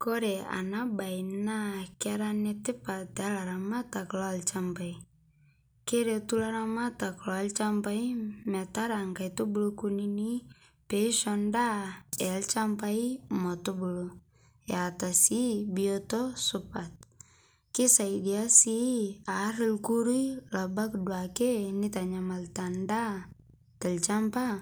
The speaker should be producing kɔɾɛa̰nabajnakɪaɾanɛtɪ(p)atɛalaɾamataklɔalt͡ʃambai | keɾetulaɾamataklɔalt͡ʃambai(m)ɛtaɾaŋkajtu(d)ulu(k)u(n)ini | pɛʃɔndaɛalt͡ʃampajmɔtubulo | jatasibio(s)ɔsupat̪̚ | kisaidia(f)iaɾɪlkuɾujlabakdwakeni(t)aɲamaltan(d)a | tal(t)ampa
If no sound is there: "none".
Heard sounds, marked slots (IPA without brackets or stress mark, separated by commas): p, m, b, k, n, t, s, t, d, t͡ʃ